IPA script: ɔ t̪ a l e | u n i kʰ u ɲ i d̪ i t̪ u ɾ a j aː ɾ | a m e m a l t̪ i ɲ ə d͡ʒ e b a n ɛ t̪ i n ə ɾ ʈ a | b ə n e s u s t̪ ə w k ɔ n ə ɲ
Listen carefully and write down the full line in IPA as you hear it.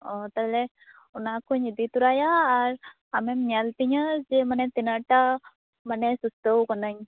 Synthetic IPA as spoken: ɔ t̪ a l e | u n a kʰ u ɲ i d̪ i t̪ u ɾ a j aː ɾ | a m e m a l t̪ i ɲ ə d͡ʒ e m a n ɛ t̪ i n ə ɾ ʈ a | m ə n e s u s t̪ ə w k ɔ n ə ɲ